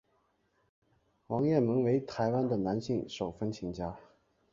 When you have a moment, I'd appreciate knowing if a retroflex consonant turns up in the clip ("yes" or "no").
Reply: yes